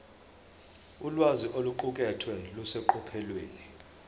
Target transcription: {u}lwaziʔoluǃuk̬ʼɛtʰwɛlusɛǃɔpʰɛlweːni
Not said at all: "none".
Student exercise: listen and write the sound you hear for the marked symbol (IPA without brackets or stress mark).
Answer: u